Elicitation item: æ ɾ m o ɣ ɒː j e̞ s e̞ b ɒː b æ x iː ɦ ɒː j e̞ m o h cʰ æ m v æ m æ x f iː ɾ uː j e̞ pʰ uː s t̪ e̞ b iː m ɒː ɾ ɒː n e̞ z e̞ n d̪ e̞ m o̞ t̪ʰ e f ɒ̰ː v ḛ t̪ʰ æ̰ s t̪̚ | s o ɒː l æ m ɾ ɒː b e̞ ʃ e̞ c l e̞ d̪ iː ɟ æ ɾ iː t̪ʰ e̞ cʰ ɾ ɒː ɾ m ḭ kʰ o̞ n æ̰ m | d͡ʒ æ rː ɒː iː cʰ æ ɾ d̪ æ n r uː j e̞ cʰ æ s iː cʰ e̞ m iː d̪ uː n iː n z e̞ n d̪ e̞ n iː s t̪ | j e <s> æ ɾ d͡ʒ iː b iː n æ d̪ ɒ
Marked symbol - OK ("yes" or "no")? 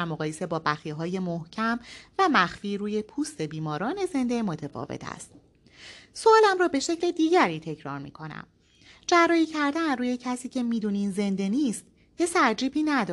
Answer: yes